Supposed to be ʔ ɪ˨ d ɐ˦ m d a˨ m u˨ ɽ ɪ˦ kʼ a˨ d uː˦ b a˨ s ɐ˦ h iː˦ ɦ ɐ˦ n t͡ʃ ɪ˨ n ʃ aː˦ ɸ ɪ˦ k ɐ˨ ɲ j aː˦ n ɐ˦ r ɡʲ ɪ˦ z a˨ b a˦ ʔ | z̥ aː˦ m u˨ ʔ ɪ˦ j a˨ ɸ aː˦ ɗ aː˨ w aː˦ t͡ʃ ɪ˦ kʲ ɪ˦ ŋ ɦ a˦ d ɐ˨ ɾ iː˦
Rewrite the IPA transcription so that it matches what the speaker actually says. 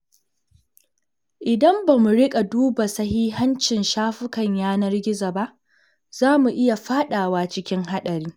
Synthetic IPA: ʔ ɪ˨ d ɐ˦ m b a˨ m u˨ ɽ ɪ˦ kʼ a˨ d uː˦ b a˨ s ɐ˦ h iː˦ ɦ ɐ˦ n t͡ʃ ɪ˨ n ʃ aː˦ ɸ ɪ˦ k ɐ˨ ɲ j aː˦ n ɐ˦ r ɡʲ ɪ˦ z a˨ b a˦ ʔ | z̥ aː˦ m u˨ ʔ ɪ˦ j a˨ ɸ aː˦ ɗ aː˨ w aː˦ t͡ʃ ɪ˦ kʲ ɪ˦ ŋ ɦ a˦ ɗ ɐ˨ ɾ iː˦